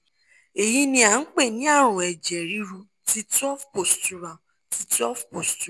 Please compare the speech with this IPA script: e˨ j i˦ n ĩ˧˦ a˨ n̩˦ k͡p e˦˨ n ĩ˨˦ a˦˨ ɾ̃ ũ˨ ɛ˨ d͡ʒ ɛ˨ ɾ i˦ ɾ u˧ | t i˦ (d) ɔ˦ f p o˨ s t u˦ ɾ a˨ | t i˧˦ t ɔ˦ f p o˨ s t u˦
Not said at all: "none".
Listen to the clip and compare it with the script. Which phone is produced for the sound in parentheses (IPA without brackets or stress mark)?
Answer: t